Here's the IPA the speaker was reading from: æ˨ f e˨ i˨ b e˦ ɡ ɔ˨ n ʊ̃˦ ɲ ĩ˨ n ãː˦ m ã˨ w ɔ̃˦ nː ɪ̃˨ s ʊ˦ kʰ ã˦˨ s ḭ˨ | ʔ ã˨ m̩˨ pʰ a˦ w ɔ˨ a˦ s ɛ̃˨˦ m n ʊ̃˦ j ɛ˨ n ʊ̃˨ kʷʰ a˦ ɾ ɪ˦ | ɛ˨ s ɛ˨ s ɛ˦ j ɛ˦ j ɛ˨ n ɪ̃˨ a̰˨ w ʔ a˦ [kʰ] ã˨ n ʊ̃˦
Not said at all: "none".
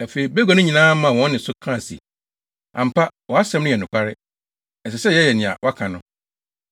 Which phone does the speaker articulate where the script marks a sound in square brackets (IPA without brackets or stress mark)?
kʰ